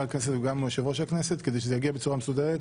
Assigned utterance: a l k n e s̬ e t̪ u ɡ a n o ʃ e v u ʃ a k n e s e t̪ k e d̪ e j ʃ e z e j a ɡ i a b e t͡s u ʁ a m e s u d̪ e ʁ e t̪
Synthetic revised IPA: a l k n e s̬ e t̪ u ɡ a m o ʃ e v o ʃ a k n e s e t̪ k e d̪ e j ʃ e z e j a ɡ i a b e t͡s u ʁ a m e s u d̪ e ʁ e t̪